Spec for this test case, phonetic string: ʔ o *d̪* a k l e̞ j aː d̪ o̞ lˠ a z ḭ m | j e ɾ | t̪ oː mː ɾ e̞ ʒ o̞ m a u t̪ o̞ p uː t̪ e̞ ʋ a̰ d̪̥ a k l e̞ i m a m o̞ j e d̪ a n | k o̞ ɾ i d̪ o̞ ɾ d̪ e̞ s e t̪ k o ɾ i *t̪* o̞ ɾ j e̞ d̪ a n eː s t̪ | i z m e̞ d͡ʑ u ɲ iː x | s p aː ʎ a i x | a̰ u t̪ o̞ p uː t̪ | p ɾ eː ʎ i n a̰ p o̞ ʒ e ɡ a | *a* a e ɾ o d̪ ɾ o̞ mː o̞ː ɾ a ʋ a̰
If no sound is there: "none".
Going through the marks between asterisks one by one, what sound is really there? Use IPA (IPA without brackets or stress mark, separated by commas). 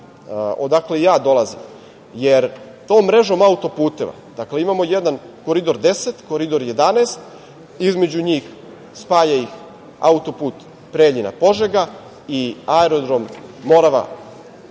d̪, d̪, i